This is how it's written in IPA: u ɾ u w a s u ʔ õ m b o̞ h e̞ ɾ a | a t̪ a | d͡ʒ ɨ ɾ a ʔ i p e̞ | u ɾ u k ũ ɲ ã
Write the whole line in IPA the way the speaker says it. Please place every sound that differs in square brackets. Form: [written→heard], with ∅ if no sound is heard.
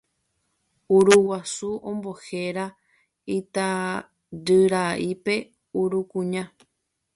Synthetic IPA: u ɾ u w a s u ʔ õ m b o̞ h e̞ ɾ a | [a→i] t̪ a | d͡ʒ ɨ ɾ a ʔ i p e̞ | u ɾ u k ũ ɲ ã